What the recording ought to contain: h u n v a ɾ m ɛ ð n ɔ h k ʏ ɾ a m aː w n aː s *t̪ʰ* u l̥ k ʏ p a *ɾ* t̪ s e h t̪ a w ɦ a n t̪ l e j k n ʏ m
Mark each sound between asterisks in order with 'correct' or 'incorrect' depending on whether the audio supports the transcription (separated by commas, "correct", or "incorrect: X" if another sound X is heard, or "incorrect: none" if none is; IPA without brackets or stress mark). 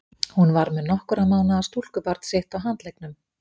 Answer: incorrect: t̪, correct